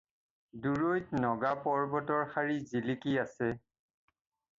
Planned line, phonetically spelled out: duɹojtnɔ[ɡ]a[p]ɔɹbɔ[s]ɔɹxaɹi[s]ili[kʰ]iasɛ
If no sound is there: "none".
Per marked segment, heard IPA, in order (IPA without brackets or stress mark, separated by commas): ɡ, p, t, z, k